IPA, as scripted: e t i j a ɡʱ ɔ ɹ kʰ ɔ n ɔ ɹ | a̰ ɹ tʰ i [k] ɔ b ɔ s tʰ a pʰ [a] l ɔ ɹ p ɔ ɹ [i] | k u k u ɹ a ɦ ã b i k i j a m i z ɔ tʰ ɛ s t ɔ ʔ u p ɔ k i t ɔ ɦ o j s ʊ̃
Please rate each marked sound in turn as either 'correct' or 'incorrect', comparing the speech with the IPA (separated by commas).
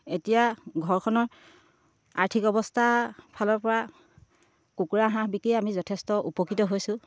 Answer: correct, correct, incorrect